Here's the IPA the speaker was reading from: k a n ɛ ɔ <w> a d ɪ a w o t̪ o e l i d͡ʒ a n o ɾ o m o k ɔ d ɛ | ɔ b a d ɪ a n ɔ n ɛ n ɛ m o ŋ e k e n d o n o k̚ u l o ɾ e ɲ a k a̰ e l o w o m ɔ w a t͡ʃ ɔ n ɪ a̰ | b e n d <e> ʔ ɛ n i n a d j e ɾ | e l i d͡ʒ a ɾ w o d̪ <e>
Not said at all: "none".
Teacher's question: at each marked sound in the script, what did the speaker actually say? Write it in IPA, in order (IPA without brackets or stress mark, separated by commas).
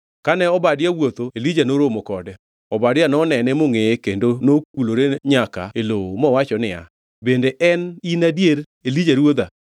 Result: b, e, a